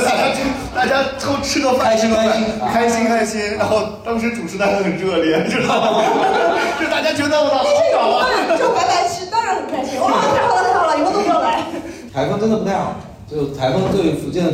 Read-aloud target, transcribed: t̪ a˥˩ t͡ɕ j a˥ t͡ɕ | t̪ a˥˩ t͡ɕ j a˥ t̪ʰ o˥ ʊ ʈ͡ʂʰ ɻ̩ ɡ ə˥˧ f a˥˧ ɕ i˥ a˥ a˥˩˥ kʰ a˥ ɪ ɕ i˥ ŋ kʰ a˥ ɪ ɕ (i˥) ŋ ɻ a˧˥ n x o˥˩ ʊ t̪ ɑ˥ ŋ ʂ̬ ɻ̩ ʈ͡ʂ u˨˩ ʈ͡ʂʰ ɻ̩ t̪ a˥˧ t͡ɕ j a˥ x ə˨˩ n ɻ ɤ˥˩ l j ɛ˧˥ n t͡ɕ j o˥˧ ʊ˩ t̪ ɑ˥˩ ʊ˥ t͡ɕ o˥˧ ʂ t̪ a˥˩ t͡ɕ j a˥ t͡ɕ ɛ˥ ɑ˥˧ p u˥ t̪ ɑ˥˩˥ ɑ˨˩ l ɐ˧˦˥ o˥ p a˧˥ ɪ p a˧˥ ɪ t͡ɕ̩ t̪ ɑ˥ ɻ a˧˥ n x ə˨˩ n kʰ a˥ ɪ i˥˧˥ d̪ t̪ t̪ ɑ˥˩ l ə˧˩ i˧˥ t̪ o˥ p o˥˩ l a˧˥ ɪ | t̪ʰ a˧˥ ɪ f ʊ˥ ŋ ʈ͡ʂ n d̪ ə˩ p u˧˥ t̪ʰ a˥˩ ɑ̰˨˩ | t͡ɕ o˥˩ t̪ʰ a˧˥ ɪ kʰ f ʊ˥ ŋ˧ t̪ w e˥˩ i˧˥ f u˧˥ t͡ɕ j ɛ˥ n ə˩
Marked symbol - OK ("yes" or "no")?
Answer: yes